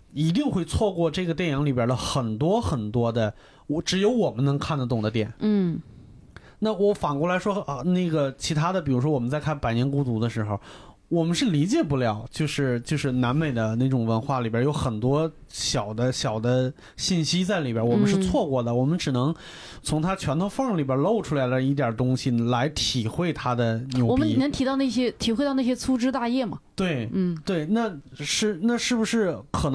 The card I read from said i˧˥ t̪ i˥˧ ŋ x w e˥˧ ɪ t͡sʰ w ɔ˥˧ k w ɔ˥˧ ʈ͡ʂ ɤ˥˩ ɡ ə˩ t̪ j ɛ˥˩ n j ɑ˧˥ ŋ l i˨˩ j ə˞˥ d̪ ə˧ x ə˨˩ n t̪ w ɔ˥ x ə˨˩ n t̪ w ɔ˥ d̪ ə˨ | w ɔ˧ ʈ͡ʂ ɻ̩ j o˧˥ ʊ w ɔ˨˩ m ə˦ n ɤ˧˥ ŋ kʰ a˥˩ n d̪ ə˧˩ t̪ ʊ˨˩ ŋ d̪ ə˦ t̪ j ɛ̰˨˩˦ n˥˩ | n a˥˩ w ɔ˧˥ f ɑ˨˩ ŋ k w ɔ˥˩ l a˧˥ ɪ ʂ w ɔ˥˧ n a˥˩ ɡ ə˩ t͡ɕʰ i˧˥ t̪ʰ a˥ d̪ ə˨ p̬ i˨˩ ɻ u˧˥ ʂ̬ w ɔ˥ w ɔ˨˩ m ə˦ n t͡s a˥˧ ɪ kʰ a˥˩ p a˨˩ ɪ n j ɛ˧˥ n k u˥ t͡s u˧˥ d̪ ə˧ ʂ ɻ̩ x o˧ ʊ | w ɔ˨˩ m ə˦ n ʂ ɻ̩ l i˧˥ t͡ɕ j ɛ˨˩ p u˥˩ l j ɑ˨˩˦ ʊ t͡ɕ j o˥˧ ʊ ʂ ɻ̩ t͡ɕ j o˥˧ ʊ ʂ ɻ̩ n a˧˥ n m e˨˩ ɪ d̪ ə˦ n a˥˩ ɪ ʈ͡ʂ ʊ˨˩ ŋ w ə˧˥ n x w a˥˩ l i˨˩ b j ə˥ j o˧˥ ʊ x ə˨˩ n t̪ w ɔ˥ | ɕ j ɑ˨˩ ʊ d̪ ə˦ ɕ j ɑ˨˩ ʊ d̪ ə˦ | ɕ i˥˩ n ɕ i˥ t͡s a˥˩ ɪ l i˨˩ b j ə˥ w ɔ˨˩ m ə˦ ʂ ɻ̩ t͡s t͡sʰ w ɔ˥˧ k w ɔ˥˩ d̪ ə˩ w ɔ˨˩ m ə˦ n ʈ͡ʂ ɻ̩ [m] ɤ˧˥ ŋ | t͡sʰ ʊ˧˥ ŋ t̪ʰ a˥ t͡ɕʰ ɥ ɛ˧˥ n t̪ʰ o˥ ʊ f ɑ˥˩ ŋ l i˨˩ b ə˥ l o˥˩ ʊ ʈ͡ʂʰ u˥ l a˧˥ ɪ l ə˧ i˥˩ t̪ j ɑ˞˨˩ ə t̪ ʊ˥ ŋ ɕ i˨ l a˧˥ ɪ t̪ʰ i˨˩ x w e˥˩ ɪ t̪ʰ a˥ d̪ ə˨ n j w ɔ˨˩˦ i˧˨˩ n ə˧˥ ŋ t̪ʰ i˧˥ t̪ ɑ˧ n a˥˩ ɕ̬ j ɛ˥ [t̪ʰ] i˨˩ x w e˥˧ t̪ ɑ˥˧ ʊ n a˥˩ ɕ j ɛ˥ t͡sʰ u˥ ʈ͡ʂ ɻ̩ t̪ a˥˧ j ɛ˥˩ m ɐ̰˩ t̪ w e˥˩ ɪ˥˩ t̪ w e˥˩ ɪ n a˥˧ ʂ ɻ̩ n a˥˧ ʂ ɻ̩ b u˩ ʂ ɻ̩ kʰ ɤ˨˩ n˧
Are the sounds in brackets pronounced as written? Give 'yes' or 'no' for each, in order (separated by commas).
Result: no, yes